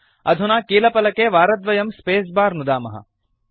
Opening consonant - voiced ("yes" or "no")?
yes